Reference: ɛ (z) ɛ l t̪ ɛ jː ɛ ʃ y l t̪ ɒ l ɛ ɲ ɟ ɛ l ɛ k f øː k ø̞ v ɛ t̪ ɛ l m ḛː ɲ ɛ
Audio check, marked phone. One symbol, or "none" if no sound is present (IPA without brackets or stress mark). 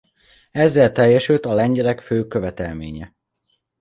zː